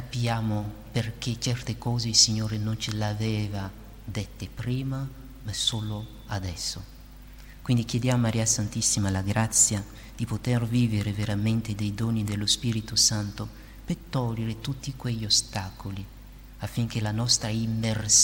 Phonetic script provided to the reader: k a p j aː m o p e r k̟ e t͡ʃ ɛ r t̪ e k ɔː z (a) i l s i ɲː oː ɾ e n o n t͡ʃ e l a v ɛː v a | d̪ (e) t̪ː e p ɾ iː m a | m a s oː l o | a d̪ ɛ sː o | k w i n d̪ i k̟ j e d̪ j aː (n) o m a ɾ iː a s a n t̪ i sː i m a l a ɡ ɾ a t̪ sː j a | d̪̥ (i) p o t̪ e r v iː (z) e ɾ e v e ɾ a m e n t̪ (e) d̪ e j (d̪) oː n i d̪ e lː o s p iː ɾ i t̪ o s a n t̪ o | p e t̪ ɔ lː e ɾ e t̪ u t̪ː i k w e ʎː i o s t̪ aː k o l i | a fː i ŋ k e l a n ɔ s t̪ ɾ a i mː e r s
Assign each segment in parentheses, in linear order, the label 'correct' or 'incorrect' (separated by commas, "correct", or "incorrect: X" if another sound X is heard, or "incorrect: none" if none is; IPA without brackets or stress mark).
incorrect: e, correct, incorrect: m, correct, incorrect: v, correct, correct